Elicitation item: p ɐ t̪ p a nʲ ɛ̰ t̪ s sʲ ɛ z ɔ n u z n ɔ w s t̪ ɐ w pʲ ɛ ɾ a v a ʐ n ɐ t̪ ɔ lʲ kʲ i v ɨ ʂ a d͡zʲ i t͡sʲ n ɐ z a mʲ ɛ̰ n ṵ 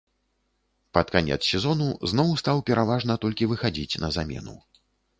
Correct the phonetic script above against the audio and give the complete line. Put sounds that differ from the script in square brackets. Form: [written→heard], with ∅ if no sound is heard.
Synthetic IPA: p ɐ t̪ [p→k] a nʲ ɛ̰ t̪ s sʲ ɛ z ɔ n u z n ɔ w s t̪ [ɐ→a] w pʲ ɛ ɾ a v a ʐ n ɐ t̪ ɔ lʲ kʲ i v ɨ [ʂ→x] a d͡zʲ i t͡sʲ n ɐ z a mʲ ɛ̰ n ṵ